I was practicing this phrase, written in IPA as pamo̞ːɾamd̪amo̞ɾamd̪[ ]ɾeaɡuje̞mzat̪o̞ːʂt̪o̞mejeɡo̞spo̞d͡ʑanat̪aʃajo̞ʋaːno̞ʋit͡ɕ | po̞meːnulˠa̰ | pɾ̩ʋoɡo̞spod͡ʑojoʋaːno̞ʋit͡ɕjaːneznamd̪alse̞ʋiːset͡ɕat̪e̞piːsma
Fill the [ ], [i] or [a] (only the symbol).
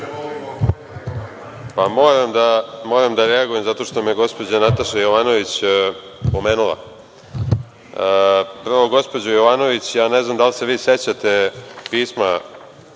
a